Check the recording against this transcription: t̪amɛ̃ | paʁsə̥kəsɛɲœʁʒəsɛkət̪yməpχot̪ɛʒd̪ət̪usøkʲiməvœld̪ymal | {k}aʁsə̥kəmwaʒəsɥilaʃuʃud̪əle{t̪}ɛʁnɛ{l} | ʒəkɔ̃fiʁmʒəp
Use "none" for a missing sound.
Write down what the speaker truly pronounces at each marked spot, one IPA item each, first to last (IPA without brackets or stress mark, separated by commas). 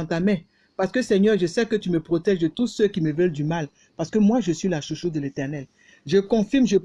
p, t̪, l